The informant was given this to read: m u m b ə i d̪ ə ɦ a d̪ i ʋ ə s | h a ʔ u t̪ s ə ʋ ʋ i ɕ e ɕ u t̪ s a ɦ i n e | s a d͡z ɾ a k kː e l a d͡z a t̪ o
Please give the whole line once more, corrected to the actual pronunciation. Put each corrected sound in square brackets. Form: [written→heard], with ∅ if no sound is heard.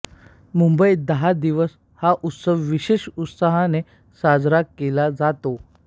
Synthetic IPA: m u m b ə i d̪ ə ɦ a d̪ i ʋ ə s | h a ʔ u t̪ s ə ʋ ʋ i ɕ e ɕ u t̪ s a ɦ [i→a] n e | s a d͡z ɾ a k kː e l a d͡z a t̪ o